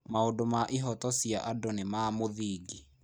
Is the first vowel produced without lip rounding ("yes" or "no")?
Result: yes